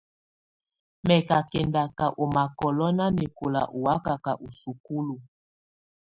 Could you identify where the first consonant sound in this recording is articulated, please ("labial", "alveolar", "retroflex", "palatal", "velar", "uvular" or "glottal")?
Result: labial